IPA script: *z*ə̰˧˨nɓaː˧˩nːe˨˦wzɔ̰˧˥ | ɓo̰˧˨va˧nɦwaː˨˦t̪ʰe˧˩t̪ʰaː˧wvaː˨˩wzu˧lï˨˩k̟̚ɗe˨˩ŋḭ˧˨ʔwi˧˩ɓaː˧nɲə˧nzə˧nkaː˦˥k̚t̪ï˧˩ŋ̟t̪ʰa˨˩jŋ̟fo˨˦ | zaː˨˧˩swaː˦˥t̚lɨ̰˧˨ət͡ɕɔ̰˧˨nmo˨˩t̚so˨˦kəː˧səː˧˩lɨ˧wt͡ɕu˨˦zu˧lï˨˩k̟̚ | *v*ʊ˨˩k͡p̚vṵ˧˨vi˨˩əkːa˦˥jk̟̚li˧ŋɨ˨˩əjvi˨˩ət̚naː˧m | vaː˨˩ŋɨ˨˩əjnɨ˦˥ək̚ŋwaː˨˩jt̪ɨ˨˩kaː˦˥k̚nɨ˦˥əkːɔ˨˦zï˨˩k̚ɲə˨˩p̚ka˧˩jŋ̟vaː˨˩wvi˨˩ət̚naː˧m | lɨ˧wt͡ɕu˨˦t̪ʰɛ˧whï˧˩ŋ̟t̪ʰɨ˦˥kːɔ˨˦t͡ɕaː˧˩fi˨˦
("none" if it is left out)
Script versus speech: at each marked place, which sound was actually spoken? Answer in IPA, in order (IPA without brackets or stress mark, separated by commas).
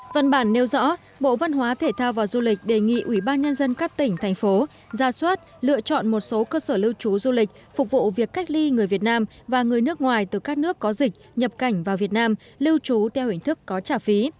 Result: v, f